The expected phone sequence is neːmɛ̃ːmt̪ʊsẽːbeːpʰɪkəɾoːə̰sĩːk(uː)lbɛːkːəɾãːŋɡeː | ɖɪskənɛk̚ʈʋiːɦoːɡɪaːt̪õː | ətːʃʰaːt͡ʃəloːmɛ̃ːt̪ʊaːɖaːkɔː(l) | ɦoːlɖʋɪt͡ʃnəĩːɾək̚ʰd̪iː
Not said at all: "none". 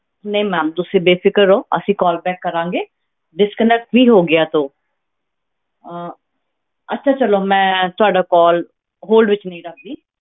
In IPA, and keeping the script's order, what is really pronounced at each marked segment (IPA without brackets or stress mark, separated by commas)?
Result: ɔː, l